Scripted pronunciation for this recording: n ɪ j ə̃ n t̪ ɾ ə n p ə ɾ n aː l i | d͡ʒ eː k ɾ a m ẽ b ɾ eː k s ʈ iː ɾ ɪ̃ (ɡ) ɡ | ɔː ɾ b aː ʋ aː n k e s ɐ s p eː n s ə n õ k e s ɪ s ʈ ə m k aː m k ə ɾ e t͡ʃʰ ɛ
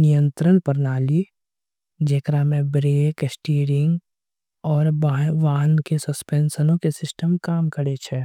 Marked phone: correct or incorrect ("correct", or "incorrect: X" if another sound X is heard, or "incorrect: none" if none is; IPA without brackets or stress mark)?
incorrect: ŋ